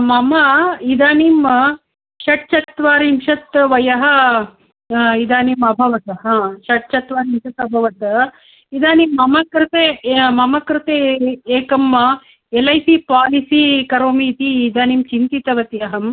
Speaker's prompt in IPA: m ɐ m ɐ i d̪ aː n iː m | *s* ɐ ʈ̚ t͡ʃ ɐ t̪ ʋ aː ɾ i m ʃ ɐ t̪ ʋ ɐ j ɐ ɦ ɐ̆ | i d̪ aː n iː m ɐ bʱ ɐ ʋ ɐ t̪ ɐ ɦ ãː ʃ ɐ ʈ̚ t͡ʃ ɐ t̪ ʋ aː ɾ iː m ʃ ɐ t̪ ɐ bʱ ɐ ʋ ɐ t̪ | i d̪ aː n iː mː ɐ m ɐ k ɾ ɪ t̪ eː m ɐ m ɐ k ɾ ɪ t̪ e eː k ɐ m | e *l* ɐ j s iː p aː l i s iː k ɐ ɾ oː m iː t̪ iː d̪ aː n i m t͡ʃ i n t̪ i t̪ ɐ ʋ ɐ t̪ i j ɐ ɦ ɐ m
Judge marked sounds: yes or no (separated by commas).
no, yes